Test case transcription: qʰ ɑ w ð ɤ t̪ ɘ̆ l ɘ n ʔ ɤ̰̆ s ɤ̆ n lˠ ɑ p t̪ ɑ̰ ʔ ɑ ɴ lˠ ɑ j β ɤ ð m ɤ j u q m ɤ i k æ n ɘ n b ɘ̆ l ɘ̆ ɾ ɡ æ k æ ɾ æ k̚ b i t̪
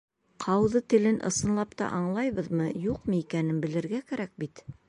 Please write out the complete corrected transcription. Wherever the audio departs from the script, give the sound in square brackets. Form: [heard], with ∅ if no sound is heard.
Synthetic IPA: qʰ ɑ w ð ɤ t̪ ɘ̆ l ɘ n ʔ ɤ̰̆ s ɤ̆ n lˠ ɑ p t̪ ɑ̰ ʔ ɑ ɴ lˠ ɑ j β ɤ ð m ɤ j u q m ɤ i k æ n ɘ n b ɘ̆ l ɘ̆ ɾ ɡ æ k æ ɾ æ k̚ b i t̪